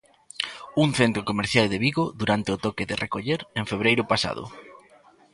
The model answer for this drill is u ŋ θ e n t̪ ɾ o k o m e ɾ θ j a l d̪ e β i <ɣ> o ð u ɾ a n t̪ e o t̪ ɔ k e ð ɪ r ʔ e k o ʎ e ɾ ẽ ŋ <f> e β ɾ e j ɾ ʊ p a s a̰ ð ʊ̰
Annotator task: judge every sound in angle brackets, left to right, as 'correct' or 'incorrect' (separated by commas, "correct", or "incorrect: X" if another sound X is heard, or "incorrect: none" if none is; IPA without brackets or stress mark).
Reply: correct, correct